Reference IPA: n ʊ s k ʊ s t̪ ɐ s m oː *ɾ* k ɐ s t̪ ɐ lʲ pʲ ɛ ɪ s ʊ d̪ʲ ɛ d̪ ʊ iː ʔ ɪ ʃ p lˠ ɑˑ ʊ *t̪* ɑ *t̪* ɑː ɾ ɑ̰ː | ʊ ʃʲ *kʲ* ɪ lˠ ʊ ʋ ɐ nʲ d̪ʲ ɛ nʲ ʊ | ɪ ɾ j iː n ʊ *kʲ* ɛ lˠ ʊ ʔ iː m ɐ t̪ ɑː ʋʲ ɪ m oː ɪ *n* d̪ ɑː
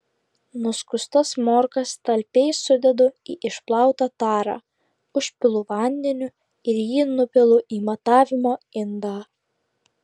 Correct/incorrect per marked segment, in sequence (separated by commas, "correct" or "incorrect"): correct, correct, correct, incorrect, incorrect, correct